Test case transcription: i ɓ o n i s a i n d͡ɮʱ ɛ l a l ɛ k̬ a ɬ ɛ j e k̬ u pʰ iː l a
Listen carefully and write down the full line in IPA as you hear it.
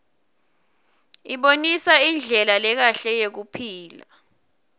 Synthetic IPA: i ɓ o n i s a i n d͡ɮʱ ɛ l a l ɛ k̬ a ɬ ɛ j e k̬ u pʰ iː l a